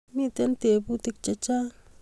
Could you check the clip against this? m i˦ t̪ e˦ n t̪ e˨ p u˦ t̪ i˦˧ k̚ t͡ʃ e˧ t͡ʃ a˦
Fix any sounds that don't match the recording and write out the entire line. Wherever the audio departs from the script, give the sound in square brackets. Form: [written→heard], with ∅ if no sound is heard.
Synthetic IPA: m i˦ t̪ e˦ n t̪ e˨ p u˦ t̪ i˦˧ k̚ t͡ʃ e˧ t͡ʃ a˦